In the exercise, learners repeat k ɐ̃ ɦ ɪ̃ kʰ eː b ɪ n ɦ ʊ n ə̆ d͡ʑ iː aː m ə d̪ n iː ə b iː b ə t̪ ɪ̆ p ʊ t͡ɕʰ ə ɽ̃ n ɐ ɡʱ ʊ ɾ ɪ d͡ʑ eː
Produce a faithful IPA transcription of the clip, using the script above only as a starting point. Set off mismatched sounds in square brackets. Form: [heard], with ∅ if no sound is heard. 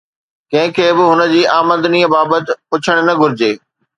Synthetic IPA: k ɐ̃ ɦ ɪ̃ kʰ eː b ɪ [∅] ɦ ʊ n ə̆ d͡ʑ iː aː m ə d̪ n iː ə b [aː] b ə t̪ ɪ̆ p ʊ t͡ɕʰ ə ɽ̃ n ɐ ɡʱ ʊ ɾ ɪ d͡ʑ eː